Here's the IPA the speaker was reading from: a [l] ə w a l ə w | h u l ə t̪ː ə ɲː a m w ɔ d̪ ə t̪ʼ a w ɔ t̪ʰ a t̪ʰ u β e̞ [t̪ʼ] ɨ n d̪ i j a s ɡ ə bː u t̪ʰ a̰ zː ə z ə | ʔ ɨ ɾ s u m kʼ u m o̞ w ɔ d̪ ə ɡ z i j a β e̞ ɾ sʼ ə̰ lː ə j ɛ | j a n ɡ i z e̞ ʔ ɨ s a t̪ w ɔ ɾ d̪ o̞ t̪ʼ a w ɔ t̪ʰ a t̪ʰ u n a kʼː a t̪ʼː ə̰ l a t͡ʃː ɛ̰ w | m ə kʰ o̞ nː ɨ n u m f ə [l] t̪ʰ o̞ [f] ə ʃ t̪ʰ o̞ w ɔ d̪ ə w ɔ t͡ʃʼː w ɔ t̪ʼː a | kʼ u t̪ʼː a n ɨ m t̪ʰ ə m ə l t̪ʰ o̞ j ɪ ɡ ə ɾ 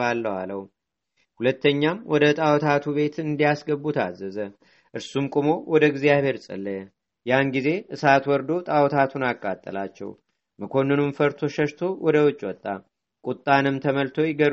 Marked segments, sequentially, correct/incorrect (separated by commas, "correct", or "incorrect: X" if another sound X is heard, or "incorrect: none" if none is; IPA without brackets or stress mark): incorrect: lː, incorrect: t̪, incorrect: ɾ, incorrect: ʃ